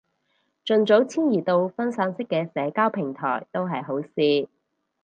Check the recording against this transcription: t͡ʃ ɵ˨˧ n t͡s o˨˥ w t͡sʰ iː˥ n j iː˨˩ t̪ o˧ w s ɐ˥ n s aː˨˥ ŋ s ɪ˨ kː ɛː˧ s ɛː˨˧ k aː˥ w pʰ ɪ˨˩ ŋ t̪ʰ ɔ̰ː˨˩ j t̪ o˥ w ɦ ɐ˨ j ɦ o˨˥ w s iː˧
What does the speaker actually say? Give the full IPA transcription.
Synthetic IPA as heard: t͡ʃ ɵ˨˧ n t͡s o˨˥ w t͡sʰ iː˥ n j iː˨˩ t̪ o˧ w f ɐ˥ n s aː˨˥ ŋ s ɪ˥ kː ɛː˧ s ɛː˨˧ k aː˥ w pʰ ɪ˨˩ ŋ t̪ʰ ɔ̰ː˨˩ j t̪ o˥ w ɦ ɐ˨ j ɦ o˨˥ w s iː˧